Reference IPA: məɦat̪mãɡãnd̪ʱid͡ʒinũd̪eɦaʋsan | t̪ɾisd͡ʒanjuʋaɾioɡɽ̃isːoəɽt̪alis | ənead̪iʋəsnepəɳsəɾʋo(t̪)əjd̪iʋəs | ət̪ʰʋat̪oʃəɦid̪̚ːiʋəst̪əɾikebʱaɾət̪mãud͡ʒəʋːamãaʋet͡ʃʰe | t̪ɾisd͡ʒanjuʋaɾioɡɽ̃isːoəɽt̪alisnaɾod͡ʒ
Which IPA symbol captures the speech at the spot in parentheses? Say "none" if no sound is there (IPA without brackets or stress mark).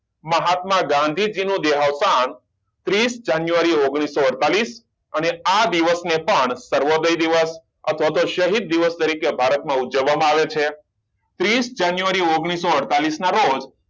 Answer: d̪